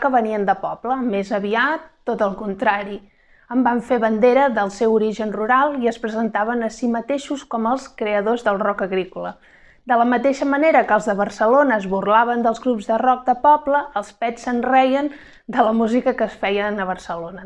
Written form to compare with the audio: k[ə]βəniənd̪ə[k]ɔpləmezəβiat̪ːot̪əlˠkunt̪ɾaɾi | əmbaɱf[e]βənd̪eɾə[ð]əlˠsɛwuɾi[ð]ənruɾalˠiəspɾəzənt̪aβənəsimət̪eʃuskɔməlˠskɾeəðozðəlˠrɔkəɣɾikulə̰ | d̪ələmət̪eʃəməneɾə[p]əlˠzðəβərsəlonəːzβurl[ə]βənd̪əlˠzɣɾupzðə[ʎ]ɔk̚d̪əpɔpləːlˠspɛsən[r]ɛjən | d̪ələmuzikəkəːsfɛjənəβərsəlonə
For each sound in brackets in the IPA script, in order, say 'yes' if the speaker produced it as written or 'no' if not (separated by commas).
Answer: yes, no, yes, yes, no, no, no, no, yes